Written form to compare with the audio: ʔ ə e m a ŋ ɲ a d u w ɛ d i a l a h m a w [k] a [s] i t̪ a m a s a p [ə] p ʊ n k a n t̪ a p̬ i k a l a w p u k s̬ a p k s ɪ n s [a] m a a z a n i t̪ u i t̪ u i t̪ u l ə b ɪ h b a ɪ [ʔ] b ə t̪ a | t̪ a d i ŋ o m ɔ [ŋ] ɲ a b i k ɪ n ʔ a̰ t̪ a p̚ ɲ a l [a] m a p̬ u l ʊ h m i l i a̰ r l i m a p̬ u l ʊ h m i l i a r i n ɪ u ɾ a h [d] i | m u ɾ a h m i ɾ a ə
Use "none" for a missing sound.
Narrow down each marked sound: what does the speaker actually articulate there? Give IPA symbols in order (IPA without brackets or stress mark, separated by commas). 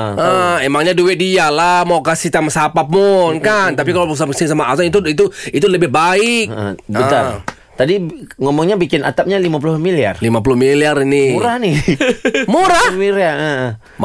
k, s, a, a, k, ŋ, i, n